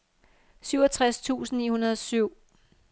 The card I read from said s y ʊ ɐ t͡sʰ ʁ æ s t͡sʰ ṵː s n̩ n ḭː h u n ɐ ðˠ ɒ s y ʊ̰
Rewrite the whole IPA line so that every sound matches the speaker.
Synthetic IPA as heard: s y ʊ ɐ t͡sʰ ʁ a s t͡sʰ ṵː s n̩ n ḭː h u n ɐ ðˠ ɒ s y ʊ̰